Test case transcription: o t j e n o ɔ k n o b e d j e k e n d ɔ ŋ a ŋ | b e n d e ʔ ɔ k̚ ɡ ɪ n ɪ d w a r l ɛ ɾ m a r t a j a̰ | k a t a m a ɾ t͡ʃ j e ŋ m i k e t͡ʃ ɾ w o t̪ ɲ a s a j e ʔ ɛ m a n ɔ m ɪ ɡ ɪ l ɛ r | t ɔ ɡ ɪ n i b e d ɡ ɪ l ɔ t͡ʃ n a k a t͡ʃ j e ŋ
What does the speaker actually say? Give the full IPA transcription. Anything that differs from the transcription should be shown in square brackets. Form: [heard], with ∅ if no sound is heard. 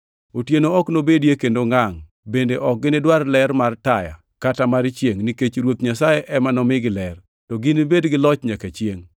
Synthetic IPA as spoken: o t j e n o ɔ k n o b e d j e k e n d [o] ŋ a ŋ | b e n d e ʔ ɔ k̚ ɡ ɪ n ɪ d w a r l ɛ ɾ m a r t a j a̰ | k a t a m a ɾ t͡ʃ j e ŋ [n] i k e t͡ʃ ɾ w o t̪ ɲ a s a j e ʔ ɛ m a n ɔ m ɪ ɡ ɪ l ɛ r | t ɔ ɡ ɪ n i b e d ɡ ɪ l ɔ t͡ʃ [ɲ] a k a t͡ʃ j e ŋ